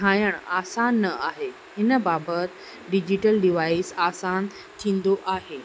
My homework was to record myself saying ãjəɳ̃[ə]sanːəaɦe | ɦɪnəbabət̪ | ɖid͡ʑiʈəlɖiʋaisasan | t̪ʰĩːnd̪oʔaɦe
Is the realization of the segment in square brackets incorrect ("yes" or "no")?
yes